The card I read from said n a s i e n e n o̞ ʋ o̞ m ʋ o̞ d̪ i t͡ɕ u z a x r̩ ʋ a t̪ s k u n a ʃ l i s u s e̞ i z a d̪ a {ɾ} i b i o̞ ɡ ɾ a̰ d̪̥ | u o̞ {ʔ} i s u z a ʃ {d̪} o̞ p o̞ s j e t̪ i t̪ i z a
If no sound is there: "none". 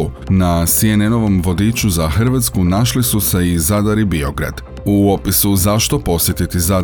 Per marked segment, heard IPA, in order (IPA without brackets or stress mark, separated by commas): ɾ, p, t̪